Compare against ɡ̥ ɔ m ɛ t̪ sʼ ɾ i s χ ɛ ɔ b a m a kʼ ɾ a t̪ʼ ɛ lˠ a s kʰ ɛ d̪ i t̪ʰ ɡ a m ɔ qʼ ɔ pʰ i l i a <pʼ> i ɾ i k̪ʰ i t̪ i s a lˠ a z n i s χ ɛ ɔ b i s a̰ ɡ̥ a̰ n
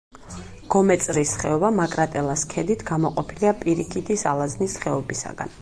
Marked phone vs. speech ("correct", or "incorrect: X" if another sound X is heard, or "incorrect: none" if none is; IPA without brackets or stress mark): correct